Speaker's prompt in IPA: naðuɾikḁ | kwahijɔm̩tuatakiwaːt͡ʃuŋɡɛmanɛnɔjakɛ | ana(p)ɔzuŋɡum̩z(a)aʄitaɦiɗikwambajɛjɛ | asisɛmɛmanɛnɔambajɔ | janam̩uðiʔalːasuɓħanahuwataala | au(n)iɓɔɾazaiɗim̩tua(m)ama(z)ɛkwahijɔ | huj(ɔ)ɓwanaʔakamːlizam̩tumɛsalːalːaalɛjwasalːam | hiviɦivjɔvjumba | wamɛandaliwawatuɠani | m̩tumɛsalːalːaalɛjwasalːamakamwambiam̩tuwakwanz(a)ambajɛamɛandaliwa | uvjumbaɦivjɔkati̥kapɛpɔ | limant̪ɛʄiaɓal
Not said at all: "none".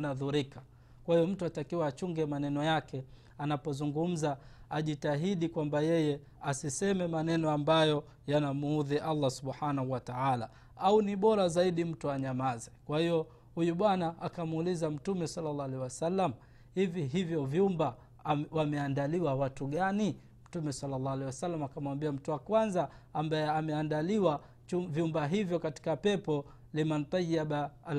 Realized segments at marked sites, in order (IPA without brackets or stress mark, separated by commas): p, a, n, ɲ, z, u, a